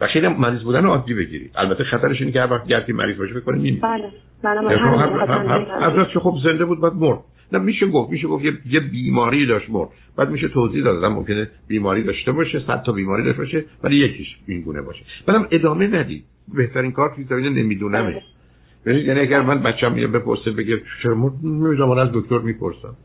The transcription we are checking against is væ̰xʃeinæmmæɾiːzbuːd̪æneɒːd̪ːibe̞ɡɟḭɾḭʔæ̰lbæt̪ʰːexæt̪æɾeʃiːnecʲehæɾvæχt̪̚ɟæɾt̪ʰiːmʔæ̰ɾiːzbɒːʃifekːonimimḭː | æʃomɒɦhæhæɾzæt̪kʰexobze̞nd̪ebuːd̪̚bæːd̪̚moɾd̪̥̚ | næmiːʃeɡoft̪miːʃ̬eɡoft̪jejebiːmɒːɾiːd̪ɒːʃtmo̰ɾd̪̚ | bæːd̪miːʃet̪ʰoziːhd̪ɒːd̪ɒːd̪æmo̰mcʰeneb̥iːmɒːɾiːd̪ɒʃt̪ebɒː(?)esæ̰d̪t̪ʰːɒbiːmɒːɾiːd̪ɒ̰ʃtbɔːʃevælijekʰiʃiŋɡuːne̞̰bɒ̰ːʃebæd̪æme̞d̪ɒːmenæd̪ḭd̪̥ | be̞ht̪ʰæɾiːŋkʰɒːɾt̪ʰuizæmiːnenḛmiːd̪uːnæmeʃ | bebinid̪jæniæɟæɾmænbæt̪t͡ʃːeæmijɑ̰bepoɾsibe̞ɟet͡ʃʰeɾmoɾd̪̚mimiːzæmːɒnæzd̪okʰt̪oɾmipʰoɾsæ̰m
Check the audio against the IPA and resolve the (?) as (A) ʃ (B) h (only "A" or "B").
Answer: A